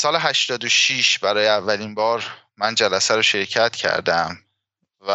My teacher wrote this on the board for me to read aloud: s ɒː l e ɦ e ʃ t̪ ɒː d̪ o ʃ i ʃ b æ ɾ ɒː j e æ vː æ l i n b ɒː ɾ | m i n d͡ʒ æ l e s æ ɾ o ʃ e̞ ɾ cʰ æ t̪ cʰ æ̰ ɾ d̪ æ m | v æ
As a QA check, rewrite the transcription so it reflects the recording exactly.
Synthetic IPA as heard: s ɒː l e ɦ æ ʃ t̪ ɒː d̪ o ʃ i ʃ b æ ɾ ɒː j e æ vː æ l i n b ɒː ɾ | m æ n d͡ʒ æ l æ s æ ɾ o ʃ e̞ ɾ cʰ æ t̪ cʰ æ̰ ɾ d̪ æ m | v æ